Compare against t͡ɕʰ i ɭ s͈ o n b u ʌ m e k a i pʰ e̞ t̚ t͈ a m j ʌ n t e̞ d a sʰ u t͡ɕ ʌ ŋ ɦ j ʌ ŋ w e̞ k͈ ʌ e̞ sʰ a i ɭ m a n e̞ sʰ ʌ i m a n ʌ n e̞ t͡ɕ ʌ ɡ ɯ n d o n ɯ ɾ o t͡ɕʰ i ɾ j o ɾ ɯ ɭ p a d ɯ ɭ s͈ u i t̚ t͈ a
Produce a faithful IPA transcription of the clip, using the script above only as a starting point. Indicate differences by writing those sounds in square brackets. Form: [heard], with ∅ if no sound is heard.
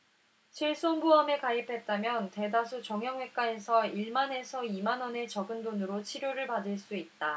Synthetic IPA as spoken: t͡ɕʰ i ɭ s͈ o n b u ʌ m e k a i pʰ e̞ t̚ t͈ a m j ʌ n t e̞ d a sʰ u t͡ɕ ʌ ŋ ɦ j ʌ ŋ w e̞ k͈ [a] e̞ sʰ [ʌ] i ɭ m a n e̞ sʰ ʌ i m a n ʌ n e̞ t͡ɕ ʌ ɡ ɯ n d o n ɯ ɾ o t͡ɕʰ i ɾ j o ɾ ɯ ɭ p a d ɯ ɭ s͈ u i t̚ t͈ a

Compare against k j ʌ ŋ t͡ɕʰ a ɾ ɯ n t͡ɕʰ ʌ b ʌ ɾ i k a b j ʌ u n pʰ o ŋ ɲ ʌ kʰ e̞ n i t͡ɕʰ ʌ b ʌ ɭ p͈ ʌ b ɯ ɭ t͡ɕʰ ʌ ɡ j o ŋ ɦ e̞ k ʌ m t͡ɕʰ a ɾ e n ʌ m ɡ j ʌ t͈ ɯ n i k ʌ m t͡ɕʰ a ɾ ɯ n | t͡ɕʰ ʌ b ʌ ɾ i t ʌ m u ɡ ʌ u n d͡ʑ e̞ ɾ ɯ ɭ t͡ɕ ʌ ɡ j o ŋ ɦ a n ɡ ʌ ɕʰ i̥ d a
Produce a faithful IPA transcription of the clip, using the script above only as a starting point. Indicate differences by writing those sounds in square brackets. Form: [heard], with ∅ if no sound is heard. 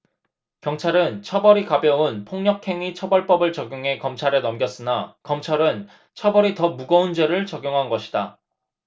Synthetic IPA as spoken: k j ʌ ŋ t͡ɕʰ a ɾ ɯ n t͡ɕʰ ʌ b ʌ ɾ i k a b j ʌ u n pʰ o ŋ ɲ ʌ kʰ e̞ [ŋ] i t͡ɕʰ ʌ b ʌ ɭ p͈ ʌ b ɯ ɭ [t͡ɕ] ʌ ɡ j o ŋ ɦ e̞ k ʌ m t͡ɕʰ a ɾ e n ʌ m ɡ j ʌ [s͈] ɯ n [a] k ʌ m t͡ɕʰ a ɾ ɯ n | t͡ɕʰ ʌ b ʌ ɾ i t ʌ m u ɡ ʌ u n d͡ʑ e̞ ɾ ɯ ɭ t͡ɕ ʌ ɡ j o ŋ ɦ a n ɡ ʌ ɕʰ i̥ d a

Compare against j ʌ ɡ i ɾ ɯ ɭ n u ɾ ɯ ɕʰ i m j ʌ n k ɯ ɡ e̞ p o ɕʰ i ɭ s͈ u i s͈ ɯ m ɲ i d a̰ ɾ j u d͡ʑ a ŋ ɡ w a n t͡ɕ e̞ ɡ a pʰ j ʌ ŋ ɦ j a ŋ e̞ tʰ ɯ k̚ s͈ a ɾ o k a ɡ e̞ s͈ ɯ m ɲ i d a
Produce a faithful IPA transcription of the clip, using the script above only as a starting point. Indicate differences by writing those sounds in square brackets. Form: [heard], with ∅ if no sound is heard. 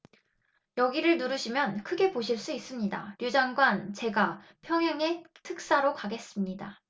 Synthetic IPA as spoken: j ʌ ɡ i ɾ ɯ ɭ n u ɾ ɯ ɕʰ i m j ʌ n [kʰ] ɯ ɡ e̞ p o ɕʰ i ɭ s͈ u i s͈ ɯ m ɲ i d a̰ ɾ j u d͡ʑ a ŋ ɡ w a n t͡ɕ e̞ ɡ a pʰ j ʌ ŋ ɦ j a ŋ e̞ tʰ ɯ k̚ s͈ a ɾ o k a ɡ e̞ s͈ ɯ m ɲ i d a

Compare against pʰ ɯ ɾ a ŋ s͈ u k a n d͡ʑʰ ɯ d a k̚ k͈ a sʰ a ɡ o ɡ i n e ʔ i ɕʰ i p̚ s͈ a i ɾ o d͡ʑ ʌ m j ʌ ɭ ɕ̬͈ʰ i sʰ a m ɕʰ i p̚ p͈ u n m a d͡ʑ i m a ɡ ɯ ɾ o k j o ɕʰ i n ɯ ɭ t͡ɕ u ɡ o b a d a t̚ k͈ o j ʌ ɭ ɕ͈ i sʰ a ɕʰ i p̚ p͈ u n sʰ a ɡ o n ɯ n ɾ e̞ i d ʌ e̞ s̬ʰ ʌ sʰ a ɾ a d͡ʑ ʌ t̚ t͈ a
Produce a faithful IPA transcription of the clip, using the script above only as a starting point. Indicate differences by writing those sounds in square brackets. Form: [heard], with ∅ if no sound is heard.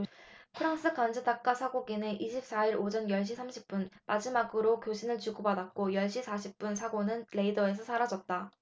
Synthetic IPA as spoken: pʰ ɯ ɾ a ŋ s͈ [ɯ] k a n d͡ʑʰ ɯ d a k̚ k͈ a sʰ a ɡ o ɡ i n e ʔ i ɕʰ i p̚ s͈ a i ɾ o d͡ʑ ʌ [n] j ʌ ɭ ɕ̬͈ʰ i sʰ a m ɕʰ i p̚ p͈ u n m a d͡ʑ i m a ɡ ɯ ɾ o k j o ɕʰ i n ɯ ɭ t͡ɕ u ɡ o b a d a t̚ k͈ o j ʌ ɭ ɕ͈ i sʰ a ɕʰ i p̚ p͈ u n sʰ a ɡ o n ɯ n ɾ e̞ i d ʌ e̞ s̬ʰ ʌ sʰ a ɾ a d͡ʑ ʌ t̚ t͈ a

